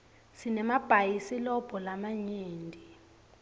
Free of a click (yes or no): yes